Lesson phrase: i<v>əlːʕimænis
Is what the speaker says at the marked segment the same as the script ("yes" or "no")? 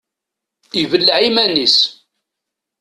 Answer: yes